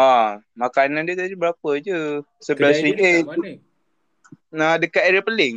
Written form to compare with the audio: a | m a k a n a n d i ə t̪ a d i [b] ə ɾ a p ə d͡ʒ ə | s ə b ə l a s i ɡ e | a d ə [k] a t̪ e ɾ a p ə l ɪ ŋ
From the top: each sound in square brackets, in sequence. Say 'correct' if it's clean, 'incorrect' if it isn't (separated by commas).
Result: correct, correct